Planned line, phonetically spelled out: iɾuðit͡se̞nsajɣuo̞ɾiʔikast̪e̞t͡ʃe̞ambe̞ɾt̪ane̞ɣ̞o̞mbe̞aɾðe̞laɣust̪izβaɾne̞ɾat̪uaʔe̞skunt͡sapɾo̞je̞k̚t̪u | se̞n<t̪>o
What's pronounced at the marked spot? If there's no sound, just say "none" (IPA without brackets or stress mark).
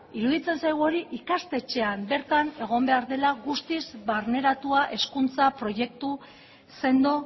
d̪